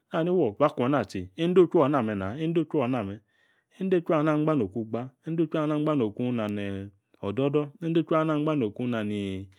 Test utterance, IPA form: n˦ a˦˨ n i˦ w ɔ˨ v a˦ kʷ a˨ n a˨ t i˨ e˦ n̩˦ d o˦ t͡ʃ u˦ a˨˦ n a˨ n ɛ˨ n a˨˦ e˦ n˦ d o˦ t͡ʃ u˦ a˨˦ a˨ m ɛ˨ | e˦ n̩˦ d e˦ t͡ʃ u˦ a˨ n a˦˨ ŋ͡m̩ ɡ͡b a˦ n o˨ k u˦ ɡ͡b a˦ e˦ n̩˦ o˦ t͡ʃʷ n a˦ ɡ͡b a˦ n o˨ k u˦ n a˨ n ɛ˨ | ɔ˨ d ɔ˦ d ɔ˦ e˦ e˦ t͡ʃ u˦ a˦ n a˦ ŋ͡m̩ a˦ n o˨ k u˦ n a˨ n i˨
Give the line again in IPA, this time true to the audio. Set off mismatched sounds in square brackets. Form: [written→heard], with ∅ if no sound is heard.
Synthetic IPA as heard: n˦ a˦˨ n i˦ w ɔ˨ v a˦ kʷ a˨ n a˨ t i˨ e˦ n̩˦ d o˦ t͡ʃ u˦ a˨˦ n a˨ [n→m] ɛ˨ n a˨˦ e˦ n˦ d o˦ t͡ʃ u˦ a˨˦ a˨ m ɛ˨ | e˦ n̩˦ d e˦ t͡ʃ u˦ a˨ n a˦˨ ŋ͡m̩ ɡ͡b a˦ n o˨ k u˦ ɡ͡b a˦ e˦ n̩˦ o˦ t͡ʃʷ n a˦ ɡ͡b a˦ n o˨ k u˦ n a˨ n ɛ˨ | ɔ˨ d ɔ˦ d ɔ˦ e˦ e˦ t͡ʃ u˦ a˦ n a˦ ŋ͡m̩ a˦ n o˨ k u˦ n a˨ n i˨